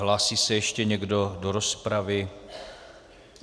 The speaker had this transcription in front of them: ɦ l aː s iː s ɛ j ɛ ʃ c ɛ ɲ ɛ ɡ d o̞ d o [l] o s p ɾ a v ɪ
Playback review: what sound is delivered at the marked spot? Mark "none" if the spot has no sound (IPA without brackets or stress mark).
ɾ